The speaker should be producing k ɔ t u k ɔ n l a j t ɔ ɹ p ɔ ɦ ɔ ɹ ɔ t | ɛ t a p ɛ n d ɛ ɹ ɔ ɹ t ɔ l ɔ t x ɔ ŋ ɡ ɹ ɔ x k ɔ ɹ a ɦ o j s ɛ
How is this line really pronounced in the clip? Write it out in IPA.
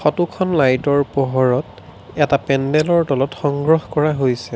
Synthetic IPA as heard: x ɔ t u kʰ ɔ n l a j t ɔ ɹ p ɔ ɦ ɔ ɹ ɔ t | ɛ t a p ɛ n d ɛ l ɔ ɹ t ɔ l ɔ t x ɔ ŋ ɡ ɹ ɔ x k ɔ ɹ a ɦ o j s ɛ